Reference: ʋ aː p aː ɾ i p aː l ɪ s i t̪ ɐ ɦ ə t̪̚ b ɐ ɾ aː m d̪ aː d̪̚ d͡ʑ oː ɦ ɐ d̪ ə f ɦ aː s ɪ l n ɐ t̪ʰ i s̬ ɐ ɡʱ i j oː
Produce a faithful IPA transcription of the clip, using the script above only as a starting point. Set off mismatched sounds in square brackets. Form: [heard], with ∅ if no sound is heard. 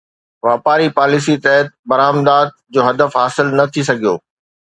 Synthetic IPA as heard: ʋ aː p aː ɾ i p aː l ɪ s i t̪ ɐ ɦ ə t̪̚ b ɐ ɾ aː m d̪ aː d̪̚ d͡ʑ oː ɦ ɐ d̪ ə f ɦ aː s ɪ l n ɐ t̪ʰ i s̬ ɐ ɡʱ i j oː

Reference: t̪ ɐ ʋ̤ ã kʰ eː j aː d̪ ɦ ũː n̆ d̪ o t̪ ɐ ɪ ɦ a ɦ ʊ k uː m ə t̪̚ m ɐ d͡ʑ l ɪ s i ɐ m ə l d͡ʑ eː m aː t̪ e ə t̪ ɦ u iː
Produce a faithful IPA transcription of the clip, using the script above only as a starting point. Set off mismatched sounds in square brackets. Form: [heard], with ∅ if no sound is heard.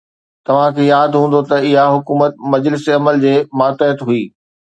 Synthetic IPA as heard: t̪ ɐ ʋ̤ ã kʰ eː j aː d̪ ɦ ũː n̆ d̪ o t̪ ɐ ɪ ɦ a ɦ ʊ k uː m ə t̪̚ m ɐ d͡ʑ l ɪ s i ɐ m ə l d͡ʑ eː m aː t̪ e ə t̪ ɦ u iː

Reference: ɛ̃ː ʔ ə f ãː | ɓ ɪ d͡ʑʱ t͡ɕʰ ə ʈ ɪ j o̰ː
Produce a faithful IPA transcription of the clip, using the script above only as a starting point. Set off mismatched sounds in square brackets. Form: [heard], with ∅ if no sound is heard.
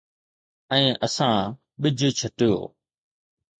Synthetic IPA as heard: ɛ̃ː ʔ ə [s] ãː | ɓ ɪ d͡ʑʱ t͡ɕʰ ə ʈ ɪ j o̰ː

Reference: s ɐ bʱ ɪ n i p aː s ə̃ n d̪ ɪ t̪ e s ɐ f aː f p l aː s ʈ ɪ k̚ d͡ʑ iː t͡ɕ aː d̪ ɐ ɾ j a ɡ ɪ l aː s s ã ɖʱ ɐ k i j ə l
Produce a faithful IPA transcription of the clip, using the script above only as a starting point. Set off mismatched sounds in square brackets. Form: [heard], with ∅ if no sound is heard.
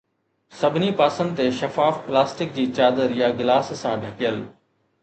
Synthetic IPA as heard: s ɐ bʱ ɪ n i p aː s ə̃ n d̪ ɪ t̪ e [ʃ] ɐ f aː f p l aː s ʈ ɪ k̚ d͡ʑ iː t͡ɕ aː d̪ [ə] ɾ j a ɡ ɪ l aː s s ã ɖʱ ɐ k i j ə l

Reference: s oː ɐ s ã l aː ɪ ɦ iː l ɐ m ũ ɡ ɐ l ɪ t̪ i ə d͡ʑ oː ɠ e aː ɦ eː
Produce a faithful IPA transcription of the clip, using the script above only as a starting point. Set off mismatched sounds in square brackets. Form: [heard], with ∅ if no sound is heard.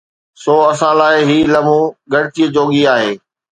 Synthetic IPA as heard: s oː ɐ s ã l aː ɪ ɦ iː l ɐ m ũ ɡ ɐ [ɽ] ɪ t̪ i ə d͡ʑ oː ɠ [i] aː ɦ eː

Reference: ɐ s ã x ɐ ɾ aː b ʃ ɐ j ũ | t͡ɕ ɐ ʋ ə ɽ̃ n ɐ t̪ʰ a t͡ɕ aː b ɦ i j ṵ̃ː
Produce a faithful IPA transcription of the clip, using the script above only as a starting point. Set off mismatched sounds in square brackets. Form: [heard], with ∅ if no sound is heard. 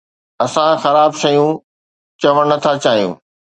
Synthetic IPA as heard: ɐ s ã x ɐ ɾ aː b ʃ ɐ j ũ | t͡ɕ ɐ ʋ ə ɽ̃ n ɐ t̪ʰ a t͡ɕ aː [∅] ɦ i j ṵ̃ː

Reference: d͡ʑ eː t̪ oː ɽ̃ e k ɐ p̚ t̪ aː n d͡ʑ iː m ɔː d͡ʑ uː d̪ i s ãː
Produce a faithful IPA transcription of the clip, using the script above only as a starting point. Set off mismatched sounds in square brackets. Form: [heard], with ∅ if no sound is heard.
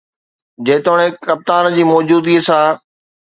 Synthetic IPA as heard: d͡ʑ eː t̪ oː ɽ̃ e k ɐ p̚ t̪ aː n d͡ʑ iː m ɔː d͡ʑ uː d̪ i s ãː

